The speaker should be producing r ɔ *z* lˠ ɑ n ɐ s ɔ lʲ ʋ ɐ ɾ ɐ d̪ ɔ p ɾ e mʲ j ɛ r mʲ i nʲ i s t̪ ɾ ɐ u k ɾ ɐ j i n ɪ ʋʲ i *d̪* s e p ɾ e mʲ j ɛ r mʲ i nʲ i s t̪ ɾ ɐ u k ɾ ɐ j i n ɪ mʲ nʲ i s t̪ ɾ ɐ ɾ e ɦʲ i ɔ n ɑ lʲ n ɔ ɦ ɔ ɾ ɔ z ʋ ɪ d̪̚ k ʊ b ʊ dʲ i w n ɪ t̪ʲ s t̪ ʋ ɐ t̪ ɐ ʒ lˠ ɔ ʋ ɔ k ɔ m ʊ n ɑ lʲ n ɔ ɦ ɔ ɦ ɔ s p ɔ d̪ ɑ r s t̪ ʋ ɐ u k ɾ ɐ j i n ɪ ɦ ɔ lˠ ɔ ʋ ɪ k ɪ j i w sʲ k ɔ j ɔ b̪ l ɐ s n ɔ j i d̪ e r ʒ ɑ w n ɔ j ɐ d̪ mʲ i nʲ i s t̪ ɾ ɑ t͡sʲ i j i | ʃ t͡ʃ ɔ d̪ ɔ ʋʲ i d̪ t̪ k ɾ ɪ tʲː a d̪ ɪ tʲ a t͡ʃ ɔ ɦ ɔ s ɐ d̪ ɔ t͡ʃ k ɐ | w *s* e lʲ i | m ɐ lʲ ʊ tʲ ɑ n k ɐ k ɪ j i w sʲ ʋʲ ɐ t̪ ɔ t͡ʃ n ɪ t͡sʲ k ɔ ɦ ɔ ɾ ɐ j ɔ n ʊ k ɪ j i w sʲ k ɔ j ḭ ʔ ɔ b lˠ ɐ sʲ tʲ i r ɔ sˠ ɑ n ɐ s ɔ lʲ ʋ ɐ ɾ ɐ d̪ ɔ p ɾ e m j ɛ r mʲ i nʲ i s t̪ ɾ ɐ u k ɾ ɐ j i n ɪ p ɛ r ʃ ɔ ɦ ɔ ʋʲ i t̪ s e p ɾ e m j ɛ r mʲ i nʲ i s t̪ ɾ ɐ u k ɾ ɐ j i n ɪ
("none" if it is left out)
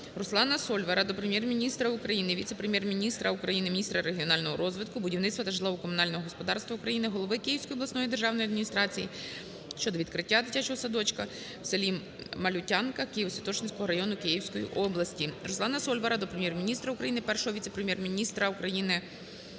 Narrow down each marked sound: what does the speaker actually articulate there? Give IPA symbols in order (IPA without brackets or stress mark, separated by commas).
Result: s, t̪, s